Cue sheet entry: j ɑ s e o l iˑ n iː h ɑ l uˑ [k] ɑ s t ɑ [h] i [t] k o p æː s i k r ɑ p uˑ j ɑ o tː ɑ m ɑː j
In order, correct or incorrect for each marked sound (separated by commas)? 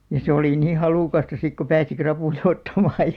correct, incorrect, incorrect